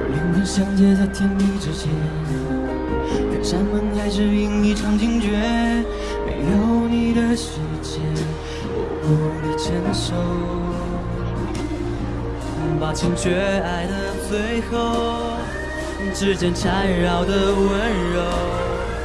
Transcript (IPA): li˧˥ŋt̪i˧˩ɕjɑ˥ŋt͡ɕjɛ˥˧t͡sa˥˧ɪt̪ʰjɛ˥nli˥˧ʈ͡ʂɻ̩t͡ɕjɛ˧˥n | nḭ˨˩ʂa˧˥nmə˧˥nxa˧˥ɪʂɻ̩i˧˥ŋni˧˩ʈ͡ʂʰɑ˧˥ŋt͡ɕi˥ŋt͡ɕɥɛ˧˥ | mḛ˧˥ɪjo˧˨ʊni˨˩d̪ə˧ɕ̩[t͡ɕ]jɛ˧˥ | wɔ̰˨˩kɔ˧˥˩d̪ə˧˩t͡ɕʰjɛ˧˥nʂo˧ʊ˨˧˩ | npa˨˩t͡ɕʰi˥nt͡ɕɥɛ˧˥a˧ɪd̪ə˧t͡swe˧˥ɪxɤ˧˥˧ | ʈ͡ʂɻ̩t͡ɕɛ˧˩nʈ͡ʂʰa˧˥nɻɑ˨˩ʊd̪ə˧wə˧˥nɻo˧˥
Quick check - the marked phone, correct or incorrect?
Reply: correct